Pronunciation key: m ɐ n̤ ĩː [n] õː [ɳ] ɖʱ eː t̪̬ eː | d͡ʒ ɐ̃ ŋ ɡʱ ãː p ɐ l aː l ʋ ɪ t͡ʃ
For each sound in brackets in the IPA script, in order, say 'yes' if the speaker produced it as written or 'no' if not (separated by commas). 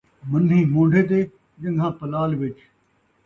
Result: no, yes